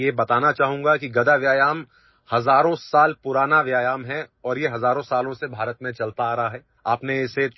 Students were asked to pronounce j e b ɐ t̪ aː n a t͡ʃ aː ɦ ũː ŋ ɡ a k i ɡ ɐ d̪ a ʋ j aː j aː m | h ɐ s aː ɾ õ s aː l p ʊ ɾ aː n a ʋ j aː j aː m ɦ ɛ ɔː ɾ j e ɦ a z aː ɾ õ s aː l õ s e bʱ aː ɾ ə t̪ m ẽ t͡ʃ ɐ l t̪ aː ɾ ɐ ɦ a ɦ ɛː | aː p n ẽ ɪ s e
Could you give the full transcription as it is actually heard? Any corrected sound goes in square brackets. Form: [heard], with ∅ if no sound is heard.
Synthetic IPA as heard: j e b ɐ t̪ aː n a t͡ʃ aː ɦ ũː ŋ ɡ a k i ɡ ɐ d̪ a ʋ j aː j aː m | h ɐ [z] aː ɾ õ s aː l p ʊ ɾ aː n a ʋ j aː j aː m ɦ ɛ ɔː ɾ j e ɦ [ɐ] z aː ɾ õ s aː l õ s e bʱ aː ɾ ə t̪ m ẽ t͡ʃ ɐ l t̪ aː ɾ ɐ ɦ a ɦ ɛː | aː p n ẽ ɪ s e